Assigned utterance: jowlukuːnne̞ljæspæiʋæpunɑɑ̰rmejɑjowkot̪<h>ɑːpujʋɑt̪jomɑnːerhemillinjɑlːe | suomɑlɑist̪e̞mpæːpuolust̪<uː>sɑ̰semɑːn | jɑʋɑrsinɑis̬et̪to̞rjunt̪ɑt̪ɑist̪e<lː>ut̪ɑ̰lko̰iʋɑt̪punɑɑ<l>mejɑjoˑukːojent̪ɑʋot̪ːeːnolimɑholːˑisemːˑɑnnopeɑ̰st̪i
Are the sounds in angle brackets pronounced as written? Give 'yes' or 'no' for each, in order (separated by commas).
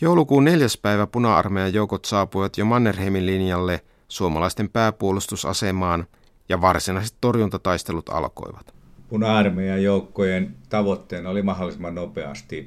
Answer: no, no, no, no